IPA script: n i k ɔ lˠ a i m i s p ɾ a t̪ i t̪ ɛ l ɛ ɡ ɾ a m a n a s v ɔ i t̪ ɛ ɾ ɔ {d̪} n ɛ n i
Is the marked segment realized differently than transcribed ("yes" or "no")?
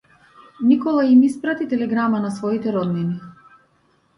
no